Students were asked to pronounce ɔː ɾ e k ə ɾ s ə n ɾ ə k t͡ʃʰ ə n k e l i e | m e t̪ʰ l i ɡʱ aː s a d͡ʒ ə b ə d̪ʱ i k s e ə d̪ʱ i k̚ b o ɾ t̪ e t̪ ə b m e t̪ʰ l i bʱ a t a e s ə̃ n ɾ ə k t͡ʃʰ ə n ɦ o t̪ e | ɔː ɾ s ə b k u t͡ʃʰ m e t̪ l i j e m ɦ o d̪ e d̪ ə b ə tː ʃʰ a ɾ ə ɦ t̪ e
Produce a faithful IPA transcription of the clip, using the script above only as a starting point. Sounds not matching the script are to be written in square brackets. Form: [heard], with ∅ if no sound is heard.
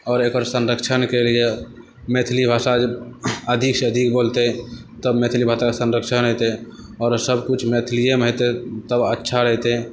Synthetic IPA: ɔː ɾ e k ə ɾ s ə n ɾ ə k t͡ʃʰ ə n k e l i e | m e t̪ʰ l i [bʱ] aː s a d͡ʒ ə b ə d̪ʱ i k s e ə d̪ʱ i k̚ b o [l] t̪ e t̪ ə b m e t̪ʰ l i bʱ a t a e s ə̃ n ɾ ə k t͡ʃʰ ə n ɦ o t̪ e | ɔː ɾ s ə b k u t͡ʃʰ m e [t̪ʰ] l i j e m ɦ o [t̪] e [t̪] ə b ə tː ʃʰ a ɾ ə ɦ t̪ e